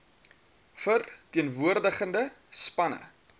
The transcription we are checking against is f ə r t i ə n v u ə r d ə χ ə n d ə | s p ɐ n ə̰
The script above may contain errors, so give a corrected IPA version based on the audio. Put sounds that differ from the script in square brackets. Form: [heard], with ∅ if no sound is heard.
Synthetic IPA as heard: f ə r t i ə n v u ə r d ə χ ə n d ə | s p ɐ n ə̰